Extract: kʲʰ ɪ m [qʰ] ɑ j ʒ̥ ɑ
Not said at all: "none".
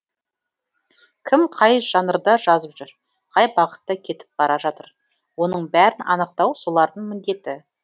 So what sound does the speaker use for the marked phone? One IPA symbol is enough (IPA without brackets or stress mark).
qʰ